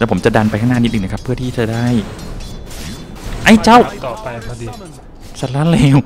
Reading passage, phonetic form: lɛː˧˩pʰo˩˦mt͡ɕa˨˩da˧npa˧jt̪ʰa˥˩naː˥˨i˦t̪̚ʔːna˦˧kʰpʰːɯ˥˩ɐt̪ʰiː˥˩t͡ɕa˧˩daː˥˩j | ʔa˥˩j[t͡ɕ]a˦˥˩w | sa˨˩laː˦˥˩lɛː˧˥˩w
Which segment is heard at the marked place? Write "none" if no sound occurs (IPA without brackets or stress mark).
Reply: t͡ɕ